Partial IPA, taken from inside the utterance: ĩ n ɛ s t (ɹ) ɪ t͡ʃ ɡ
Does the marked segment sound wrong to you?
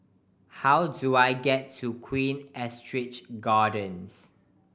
no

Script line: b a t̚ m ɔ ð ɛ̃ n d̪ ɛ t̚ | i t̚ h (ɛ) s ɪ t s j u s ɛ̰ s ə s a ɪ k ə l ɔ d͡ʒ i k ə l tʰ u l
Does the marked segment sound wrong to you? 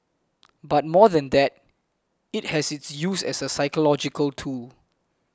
no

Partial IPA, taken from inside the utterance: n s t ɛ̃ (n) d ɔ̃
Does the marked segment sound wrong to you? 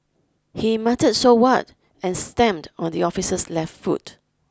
yes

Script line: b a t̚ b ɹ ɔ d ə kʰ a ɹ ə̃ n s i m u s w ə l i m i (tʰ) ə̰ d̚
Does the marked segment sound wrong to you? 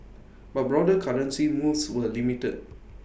yes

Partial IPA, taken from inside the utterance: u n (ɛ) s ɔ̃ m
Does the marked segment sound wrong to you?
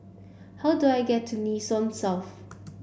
yes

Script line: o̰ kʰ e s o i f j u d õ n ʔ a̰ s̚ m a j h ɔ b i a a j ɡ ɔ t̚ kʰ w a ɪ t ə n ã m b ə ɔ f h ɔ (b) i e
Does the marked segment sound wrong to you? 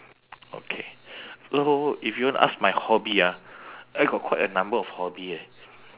no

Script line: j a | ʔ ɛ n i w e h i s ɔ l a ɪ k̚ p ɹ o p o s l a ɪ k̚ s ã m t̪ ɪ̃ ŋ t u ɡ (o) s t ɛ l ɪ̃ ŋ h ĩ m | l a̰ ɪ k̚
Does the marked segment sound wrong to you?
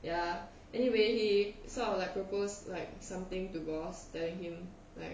yes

